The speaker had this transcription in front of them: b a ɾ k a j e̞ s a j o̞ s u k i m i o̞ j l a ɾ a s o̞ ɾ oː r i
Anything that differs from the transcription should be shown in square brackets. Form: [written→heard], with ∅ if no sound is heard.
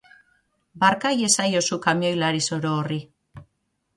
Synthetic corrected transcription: b a ɾ k a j e̞ s a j o̞ s u k [i→a] m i o̞ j l a ɾ [a→i] s o̞ ɾ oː r i